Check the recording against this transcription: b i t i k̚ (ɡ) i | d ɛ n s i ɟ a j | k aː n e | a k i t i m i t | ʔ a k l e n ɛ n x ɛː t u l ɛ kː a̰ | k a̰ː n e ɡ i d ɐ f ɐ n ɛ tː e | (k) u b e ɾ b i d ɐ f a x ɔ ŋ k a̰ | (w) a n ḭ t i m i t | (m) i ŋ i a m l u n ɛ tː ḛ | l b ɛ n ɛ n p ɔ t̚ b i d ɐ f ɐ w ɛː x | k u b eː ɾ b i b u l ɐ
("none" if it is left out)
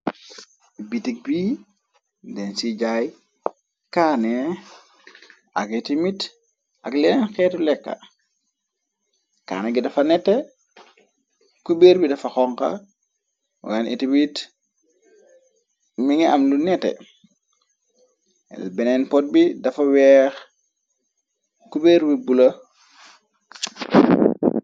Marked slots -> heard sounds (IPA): b, k, w, m

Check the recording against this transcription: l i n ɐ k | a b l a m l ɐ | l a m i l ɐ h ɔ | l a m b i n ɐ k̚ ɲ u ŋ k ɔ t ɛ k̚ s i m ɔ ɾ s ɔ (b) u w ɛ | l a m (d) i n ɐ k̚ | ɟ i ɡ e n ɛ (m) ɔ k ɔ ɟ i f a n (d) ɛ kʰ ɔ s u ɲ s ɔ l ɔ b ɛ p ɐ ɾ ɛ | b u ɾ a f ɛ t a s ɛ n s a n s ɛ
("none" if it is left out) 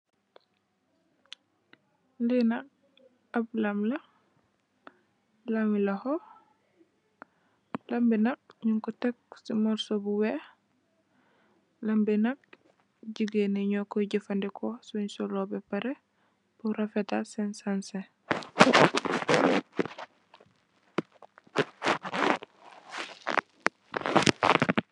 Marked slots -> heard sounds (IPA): b, b, ɲ, d

